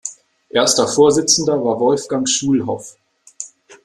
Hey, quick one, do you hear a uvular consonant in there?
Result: no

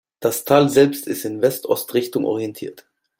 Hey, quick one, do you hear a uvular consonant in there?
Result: yes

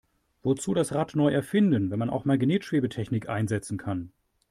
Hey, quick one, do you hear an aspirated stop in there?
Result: yes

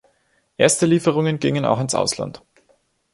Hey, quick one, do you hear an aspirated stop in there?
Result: no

